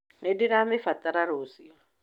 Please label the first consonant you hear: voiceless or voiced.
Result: voiced